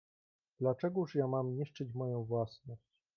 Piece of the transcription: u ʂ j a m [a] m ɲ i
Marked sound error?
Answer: no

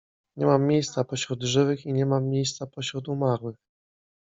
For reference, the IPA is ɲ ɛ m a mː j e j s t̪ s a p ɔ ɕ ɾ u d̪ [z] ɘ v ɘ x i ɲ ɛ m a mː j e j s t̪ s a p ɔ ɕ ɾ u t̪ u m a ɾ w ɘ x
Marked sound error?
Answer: yes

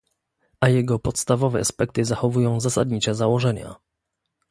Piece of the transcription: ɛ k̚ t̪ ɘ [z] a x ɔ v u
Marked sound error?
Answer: no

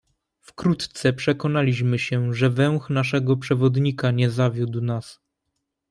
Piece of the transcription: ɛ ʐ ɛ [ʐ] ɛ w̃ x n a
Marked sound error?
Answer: yes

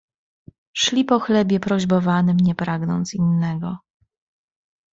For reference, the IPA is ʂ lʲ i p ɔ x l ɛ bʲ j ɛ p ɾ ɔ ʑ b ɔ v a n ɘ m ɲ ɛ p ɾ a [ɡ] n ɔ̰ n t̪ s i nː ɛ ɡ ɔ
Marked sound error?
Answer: no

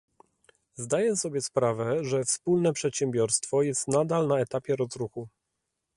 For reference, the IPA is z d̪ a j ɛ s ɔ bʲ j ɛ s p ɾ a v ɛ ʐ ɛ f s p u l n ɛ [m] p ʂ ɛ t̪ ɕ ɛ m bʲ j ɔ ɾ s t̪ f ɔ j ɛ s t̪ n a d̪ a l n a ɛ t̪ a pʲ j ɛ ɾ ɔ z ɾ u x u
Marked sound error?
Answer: yes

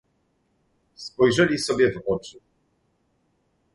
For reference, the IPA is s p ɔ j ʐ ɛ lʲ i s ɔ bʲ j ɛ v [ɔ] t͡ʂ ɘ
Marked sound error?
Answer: no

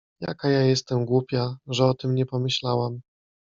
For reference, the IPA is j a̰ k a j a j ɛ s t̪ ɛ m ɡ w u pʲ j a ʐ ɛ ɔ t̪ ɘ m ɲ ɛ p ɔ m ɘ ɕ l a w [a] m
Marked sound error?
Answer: no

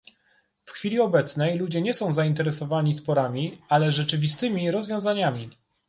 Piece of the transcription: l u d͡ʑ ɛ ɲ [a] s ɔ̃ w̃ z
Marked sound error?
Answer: yes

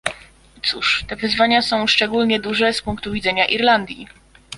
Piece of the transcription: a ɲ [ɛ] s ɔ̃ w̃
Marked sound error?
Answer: yes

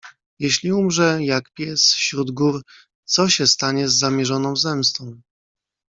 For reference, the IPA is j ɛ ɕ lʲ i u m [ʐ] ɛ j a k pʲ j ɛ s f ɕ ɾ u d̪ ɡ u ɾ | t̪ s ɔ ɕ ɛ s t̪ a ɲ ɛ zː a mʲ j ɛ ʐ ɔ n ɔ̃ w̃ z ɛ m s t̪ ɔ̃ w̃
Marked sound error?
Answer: no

